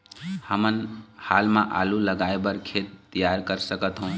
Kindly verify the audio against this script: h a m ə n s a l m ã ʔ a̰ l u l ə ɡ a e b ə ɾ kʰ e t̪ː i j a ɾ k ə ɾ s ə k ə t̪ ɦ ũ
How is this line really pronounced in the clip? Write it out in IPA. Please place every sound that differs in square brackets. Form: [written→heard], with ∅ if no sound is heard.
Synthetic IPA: h [a→ə] m ə n [s→h] a l m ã ʔ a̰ l u l ə ɡ a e b ə ɾ kʰ e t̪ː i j a ɾ k ə ɾ s ə k ə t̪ ɦ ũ